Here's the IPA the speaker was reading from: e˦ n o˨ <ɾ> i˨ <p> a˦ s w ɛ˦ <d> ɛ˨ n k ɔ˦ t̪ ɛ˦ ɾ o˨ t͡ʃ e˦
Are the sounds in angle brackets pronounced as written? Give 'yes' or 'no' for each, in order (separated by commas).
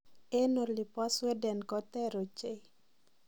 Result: no, yes, yes